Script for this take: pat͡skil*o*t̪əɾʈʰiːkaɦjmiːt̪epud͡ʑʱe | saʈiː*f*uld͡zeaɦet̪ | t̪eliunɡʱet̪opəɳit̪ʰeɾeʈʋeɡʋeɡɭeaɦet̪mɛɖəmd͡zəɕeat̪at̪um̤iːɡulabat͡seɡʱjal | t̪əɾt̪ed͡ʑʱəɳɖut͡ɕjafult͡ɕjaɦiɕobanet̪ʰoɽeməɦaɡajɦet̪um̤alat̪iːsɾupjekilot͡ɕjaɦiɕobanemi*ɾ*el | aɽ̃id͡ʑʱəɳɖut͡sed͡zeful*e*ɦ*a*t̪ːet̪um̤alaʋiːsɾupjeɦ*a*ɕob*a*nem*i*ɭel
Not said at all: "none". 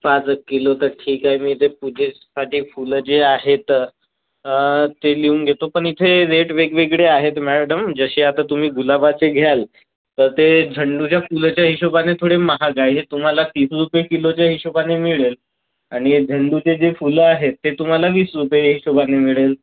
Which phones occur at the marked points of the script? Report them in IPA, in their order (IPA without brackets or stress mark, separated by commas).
o, f, ɭ, a, e, i, a, i